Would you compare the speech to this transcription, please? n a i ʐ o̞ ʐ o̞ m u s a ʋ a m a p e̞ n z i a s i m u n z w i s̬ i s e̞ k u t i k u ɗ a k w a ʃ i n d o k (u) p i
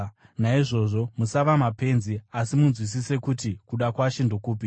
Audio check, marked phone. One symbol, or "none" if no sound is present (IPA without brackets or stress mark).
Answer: uː